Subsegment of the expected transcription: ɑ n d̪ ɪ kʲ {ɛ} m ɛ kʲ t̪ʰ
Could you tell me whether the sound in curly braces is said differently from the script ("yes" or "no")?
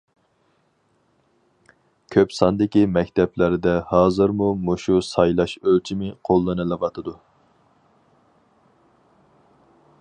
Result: yes